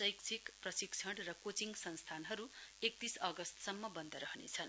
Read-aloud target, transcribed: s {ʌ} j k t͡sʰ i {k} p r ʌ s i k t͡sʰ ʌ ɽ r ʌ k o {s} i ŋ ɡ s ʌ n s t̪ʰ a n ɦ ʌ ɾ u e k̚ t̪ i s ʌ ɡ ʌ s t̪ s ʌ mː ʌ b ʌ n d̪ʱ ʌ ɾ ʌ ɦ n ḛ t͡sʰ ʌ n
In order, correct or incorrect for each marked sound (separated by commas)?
correct, correct, incorrect